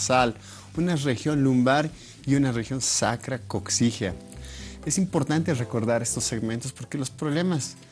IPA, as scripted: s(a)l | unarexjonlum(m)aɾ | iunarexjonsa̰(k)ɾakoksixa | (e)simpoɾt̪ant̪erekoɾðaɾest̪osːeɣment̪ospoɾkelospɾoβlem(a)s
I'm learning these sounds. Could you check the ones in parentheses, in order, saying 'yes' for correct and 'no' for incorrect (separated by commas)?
yes, no, yes, yes, yes